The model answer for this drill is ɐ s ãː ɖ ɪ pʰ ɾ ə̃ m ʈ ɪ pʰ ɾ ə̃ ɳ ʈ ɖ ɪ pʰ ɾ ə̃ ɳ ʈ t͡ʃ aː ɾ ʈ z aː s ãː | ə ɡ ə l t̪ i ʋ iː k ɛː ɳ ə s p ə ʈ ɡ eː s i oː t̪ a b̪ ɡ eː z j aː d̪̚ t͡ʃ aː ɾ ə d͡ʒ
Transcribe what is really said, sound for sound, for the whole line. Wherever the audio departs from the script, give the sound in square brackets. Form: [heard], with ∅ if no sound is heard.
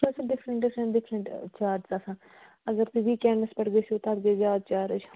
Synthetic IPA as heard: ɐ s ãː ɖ ɪ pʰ ɾ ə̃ [ɳ] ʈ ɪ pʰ ɾ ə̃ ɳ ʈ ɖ ɪ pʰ ɾ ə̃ ɳ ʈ t͡ʃ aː ɾ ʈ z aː s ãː | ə ɡ ə [ɾ] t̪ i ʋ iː k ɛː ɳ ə s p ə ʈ ɡ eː s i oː t̪ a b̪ ɡ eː z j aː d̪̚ t͡ʃ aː ɾ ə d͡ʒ